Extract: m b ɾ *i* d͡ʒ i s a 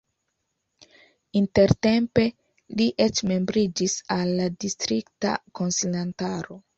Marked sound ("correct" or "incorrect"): correct